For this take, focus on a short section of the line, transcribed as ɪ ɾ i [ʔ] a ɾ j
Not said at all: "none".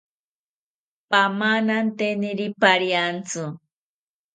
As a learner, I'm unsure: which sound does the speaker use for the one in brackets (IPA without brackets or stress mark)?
p